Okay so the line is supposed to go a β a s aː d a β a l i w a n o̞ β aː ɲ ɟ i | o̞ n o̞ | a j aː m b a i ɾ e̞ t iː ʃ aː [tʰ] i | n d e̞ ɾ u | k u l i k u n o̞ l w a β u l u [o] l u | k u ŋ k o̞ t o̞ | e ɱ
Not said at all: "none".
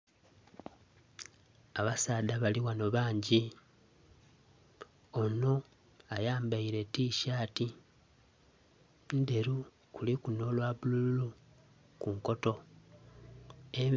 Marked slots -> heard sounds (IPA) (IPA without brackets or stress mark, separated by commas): t, u